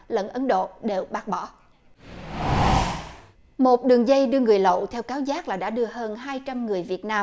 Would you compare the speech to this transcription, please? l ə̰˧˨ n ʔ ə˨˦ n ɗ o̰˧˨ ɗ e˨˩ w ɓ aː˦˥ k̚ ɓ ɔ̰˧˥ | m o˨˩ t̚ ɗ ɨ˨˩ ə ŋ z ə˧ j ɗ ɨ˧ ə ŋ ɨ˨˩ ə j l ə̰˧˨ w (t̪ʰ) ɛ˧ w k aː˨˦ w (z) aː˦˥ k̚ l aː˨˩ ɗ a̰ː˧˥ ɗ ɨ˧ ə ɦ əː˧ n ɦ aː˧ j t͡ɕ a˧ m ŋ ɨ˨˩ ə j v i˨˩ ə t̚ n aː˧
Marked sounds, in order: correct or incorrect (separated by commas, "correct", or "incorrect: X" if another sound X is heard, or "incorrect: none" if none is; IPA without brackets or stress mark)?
correct, correct